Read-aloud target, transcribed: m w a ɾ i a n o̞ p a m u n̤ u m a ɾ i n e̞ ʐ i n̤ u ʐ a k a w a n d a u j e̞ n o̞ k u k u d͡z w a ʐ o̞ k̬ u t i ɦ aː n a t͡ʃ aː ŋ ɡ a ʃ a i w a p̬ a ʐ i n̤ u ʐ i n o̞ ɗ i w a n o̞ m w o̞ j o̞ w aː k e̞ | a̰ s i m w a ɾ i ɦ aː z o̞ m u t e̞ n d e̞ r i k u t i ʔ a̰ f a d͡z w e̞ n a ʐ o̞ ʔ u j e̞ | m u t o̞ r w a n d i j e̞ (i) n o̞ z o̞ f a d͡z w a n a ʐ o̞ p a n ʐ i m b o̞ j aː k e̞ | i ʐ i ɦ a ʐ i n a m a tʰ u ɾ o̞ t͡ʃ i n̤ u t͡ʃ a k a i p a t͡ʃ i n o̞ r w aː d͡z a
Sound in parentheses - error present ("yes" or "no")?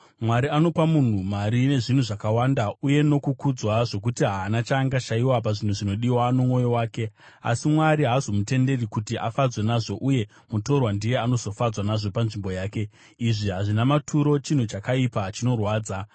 yes